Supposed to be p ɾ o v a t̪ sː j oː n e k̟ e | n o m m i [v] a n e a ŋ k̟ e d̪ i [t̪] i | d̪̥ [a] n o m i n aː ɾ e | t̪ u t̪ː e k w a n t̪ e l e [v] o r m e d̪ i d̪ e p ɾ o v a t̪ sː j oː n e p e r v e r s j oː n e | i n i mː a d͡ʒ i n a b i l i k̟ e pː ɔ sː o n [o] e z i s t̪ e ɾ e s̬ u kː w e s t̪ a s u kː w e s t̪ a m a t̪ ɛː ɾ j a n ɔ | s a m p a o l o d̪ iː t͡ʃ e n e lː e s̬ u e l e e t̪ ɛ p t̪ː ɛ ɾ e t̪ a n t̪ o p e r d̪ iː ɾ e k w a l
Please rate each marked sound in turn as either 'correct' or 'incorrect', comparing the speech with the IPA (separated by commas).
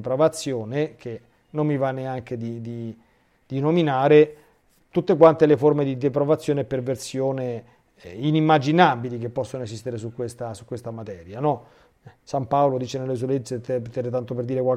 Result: correct, incorrect, incorrect, incorrect, correct